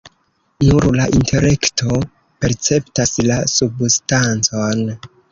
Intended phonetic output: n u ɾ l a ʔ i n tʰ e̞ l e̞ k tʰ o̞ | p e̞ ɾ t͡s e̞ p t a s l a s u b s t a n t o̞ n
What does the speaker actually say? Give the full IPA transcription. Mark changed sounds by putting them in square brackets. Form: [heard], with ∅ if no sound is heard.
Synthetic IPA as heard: n u ɾ l a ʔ i n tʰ e̞ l e̞ k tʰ o̞ | p e̞ ɾ t͡s e̞ p t a s l a s u b s t a n [t͡s] o̞ n